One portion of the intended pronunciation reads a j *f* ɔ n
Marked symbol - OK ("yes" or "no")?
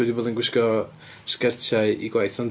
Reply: no